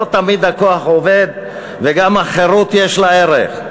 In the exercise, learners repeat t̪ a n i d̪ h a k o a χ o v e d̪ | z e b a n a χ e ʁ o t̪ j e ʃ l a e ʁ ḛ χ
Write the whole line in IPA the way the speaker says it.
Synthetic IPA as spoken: t̪ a m i d̪ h a k o a χ o v e d̪ | v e ɡ a m a χ e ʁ u t̪ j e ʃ l a e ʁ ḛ χ